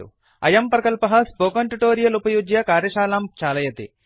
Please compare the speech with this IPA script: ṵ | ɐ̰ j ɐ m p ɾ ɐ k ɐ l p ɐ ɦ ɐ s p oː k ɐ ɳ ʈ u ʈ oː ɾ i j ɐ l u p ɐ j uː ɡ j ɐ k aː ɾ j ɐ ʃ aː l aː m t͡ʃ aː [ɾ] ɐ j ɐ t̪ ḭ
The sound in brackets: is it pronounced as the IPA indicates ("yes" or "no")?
no